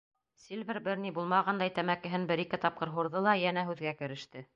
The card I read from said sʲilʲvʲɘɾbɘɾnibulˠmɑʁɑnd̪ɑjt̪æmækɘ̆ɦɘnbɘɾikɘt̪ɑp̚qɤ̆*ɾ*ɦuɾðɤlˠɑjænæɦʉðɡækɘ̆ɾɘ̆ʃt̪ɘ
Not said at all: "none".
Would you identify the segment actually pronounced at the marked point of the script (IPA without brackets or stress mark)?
ɾ